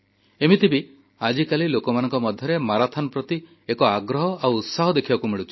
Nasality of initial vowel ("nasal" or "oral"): oral